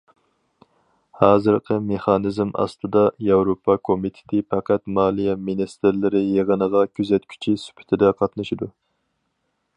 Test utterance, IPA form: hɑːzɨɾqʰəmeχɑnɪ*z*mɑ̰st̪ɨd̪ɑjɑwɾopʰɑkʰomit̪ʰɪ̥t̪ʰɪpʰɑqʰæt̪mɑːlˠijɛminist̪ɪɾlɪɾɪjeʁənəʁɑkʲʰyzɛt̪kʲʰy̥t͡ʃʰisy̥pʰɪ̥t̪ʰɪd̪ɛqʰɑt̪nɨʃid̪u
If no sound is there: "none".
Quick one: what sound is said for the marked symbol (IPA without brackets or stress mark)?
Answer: z